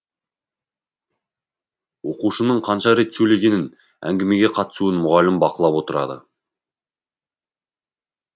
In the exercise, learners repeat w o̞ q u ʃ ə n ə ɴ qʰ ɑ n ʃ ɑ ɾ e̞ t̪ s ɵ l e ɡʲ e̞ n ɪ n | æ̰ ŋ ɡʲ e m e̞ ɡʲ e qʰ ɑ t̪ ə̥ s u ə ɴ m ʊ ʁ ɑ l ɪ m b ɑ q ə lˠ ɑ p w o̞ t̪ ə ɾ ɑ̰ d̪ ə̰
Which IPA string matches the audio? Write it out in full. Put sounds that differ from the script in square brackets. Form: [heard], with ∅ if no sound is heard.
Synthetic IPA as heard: w o̞ q u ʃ ə n ə ɴ qʰ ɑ n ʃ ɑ ɾ e̞ t̪ s ɵ l e ɡʲ e̞ n ɪ n | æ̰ ŋ ɡʲ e m e̞ ɡʲ e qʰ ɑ t̪ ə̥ s u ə [n] m ʊ ʁ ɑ l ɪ m b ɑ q ə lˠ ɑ p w o̞ t̪ ə ɾ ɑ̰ d̪ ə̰